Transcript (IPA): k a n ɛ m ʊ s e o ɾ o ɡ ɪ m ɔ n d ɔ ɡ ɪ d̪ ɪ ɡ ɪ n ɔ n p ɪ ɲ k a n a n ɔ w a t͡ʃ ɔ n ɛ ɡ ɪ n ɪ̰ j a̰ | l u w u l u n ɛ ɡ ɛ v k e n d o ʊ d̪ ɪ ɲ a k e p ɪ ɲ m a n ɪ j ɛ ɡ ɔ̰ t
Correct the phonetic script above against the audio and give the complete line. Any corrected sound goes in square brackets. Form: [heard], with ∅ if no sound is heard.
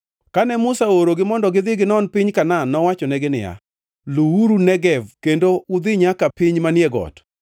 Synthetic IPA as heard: k a n ɛ m ʊ s [a] o ɾ o ɡ ɪ m ɔ n d ɔ ɡ ɪ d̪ ɪ ɡ ɪ n ɔ n p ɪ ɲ k a n a n ɔ w a t͡ʃ ɔ n ɛ ɡ ɪ n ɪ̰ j a̰ | l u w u [ɾ] u n ɛ ɡ ɛ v k e n d o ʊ d̪ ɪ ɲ a k [a] p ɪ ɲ m a n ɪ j ɛ ɡ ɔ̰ t